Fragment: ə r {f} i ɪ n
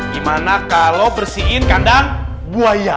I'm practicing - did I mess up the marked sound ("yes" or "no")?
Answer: yes